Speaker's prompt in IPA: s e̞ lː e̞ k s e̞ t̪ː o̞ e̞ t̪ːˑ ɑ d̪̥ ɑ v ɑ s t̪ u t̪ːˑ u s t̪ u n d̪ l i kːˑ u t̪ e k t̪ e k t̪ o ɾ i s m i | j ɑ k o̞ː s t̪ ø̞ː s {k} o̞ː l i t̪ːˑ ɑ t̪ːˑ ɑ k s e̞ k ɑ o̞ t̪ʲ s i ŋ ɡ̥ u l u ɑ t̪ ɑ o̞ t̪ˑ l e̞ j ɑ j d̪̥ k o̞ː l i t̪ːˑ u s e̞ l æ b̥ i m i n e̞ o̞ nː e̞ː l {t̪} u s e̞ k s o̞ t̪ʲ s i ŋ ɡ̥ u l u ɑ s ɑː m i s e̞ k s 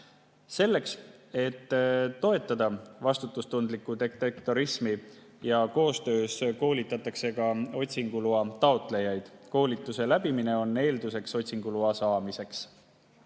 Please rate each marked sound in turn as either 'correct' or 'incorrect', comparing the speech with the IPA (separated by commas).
correct, incorrect